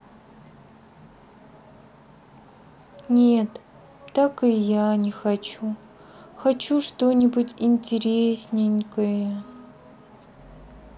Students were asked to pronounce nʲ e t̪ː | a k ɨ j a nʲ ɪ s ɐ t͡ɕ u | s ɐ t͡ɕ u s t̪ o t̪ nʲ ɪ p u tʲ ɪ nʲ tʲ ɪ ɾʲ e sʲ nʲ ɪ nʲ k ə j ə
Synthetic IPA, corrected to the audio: nʲ e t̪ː | a k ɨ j a nʲ ɪ x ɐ t͡ɕ u | x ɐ t͡ɕ u ʂ t̪ o nʲ ɪ b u tʲ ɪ nʲ tʲ ɪ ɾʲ e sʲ nʲ ɪ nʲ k ə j ə